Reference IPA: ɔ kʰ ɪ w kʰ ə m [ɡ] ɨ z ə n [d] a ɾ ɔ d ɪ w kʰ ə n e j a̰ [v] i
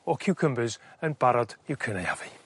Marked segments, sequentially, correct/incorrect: incorrect: b, incorrect: b, correct

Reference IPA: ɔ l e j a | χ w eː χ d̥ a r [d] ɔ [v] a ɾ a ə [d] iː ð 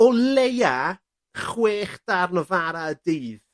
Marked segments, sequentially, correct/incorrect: incorrect: n, correct, correct

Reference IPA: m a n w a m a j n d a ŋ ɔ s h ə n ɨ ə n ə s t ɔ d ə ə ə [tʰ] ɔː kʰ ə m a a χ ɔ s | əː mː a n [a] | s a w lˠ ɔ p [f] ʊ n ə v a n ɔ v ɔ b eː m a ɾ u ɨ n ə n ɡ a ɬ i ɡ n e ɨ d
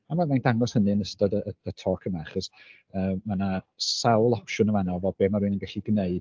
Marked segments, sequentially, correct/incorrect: correct, correct, incorrect: ʃ

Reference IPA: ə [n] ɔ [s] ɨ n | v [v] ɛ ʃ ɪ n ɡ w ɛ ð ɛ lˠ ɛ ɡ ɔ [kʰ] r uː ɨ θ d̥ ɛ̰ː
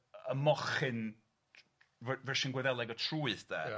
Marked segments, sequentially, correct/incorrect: incorrect: m, incorrect: χ, correct, incorrect: tʰ

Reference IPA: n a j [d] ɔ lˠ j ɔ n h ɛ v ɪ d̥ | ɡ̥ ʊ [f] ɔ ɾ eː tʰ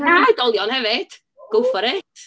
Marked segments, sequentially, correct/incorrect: correct, correct

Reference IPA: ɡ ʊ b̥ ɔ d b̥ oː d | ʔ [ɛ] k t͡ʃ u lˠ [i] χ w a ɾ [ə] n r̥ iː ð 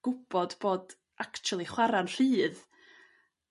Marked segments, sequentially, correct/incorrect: incorrect: a, correct, incorrect: a

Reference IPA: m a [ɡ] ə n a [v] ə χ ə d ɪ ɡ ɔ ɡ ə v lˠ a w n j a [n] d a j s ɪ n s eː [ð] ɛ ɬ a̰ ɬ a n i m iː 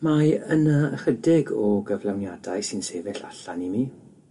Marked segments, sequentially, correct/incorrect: incorrect: none, incorrect: none, incorrect: none, incorrect: v

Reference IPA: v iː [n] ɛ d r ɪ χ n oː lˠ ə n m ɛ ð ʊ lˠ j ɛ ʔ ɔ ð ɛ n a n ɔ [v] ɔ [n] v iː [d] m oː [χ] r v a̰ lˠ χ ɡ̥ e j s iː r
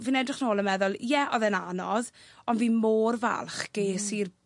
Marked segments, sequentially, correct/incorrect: correct, incorrect: ð, correct, incorrect: none, incorrect: none

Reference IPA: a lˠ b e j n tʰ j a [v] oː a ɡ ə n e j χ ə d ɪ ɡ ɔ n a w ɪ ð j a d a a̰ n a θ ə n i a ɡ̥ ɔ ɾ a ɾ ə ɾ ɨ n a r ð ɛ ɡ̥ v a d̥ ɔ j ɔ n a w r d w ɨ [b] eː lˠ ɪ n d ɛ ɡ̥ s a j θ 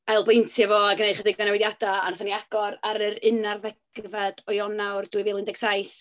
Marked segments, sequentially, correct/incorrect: correct, incorrect: v

